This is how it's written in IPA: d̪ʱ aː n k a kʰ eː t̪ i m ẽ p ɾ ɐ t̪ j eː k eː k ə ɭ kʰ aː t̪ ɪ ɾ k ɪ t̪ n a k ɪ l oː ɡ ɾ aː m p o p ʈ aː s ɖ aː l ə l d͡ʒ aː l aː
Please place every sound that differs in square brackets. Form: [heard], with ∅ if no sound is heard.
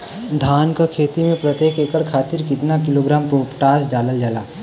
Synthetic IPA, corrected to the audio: d̪ʱ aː n k a kʰ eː t̪ i m ẽ p ɾ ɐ t̪ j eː k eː k ə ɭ kʰ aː t̪ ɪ ɾ k ɪ t̪ n a k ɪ l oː ɡ ɾ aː m p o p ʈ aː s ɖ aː l ə l d͡ʒ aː l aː